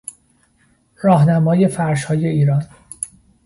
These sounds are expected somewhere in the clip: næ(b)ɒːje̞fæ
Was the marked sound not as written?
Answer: yes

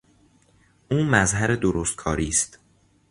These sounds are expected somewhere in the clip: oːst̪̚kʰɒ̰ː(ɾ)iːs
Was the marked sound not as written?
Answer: no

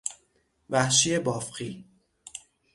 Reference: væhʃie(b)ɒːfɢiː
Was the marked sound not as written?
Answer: no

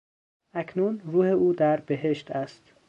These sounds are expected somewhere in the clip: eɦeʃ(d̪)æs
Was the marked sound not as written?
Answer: yes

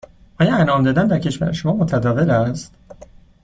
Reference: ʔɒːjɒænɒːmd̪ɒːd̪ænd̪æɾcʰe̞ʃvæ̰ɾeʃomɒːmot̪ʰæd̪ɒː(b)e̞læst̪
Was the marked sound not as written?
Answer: yes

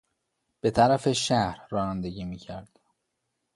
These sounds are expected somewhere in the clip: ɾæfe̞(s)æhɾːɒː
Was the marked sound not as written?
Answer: yes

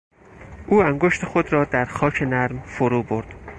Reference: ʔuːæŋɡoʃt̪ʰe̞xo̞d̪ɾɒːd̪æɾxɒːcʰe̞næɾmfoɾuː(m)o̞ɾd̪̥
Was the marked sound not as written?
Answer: yes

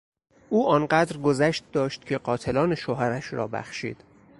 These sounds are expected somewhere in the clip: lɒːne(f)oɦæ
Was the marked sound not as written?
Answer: yes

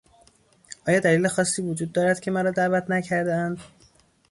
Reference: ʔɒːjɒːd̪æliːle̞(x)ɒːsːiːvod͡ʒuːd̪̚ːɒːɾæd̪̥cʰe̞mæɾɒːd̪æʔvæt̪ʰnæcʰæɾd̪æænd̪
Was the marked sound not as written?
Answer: no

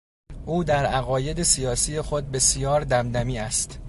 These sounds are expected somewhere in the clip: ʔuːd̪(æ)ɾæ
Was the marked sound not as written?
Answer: no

